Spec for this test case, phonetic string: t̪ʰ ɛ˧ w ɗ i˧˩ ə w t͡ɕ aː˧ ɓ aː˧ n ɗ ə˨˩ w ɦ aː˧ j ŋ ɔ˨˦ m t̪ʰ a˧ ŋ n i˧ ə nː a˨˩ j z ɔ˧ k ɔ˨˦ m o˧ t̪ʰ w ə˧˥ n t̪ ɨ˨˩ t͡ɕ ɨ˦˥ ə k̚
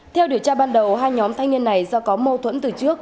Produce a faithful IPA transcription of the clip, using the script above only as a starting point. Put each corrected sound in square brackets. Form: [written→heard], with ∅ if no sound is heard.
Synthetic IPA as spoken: t̪ʰ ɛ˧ w ɗ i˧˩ ə w t͡ɕ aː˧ ɓ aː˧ n ɗ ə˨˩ w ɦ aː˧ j [ŋ→ɲ] ɔ˨˦ m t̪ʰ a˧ ŋ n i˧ ə nː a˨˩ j z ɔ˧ k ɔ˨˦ m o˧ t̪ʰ w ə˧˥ n t̪ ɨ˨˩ t͡ɕ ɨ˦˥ ə k̚